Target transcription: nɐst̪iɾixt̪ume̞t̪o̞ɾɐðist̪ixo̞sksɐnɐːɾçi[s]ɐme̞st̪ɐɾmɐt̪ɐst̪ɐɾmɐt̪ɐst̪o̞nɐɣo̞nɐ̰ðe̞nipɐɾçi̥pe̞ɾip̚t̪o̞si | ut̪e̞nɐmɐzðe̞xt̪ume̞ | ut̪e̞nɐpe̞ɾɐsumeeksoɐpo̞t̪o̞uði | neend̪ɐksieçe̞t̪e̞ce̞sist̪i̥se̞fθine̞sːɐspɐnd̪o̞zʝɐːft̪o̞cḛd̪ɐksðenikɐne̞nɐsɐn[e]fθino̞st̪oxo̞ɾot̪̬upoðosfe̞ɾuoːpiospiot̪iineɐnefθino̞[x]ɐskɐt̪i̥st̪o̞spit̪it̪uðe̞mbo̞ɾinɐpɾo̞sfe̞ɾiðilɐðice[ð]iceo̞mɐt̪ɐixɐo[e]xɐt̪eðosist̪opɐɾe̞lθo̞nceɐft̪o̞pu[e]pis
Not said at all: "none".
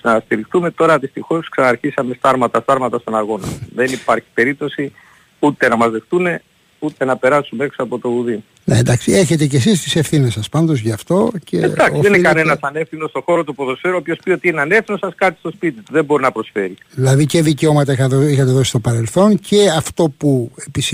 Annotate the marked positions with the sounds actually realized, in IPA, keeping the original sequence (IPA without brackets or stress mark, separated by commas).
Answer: s, e, s, ð, i, e